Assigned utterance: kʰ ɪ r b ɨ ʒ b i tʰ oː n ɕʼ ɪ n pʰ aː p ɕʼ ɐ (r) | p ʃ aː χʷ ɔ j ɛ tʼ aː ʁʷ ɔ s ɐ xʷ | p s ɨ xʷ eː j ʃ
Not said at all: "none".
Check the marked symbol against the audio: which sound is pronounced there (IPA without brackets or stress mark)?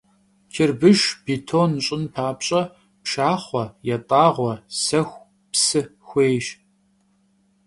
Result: none